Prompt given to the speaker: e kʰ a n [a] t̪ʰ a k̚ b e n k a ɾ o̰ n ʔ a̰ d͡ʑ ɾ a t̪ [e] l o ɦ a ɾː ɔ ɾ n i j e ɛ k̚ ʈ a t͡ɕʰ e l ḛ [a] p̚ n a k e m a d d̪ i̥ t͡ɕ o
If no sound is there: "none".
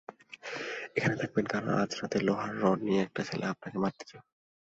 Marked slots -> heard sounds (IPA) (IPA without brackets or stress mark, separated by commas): e, e, a